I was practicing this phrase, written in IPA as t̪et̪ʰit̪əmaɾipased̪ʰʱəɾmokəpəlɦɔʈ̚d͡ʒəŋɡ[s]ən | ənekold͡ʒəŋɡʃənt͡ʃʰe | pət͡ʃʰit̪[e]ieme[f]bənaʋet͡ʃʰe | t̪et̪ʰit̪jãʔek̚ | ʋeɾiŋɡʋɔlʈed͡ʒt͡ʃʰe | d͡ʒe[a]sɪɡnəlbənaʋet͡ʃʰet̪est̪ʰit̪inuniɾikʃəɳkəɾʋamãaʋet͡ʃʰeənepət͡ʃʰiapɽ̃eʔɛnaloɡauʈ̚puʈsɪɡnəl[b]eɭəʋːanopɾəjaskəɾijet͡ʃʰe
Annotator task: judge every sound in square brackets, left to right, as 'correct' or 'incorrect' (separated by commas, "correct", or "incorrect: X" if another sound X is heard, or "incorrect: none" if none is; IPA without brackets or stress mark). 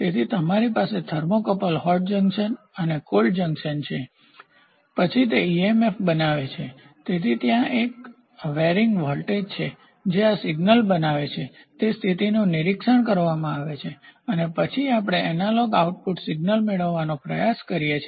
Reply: incorrect: ʃ, correct, correct, correct, incorrect: m